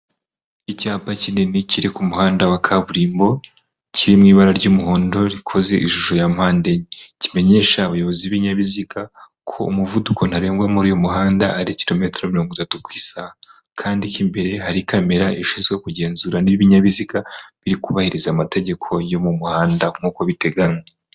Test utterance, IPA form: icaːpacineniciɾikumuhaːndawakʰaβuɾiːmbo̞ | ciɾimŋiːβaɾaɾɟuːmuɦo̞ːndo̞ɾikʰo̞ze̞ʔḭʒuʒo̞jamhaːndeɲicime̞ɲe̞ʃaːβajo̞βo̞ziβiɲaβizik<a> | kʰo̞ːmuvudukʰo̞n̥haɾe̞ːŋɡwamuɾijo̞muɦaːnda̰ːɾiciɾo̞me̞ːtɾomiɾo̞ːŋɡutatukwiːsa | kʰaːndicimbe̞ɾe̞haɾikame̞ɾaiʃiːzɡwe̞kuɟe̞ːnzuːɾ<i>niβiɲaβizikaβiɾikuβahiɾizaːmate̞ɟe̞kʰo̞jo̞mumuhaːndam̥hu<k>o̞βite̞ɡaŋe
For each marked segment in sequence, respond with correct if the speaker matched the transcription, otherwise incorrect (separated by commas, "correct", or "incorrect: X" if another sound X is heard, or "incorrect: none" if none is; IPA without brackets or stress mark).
correct, incorrect: a, correct